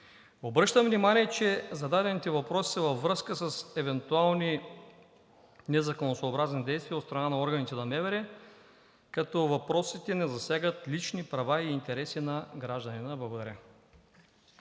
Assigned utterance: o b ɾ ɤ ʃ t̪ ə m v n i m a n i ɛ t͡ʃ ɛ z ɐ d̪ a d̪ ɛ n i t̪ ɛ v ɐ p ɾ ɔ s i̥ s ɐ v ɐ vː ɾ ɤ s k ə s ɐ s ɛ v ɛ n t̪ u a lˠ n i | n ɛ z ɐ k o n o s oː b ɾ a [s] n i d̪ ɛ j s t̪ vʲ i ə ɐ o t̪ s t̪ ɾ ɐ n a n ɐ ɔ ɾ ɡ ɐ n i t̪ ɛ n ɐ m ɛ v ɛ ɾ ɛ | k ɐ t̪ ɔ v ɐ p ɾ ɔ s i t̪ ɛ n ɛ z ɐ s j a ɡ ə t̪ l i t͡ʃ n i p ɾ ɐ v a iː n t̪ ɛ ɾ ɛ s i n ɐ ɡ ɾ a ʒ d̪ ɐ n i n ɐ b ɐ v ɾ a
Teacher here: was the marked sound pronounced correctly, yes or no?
no